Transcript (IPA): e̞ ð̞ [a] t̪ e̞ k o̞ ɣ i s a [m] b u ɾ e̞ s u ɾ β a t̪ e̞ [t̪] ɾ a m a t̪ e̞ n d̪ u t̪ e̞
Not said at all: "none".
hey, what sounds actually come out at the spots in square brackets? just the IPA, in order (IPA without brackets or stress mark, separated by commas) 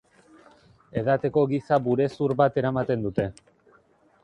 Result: a, none, none